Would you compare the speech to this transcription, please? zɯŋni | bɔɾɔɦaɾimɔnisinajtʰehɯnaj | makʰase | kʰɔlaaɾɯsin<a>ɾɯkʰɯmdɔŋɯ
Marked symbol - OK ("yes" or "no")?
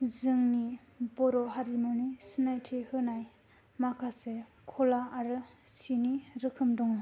no